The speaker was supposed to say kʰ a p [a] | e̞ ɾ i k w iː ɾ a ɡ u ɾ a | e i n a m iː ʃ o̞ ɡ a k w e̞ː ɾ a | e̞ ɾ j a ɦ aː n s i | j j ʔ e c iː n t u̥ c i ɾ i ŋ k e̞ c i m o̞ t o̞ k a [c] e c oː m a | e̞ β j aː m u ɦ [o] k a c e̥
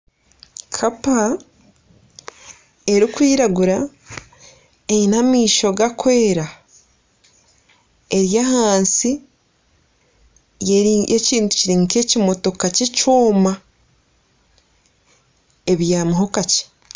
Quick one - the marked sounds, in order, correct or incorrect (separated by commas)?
correct, correct, correct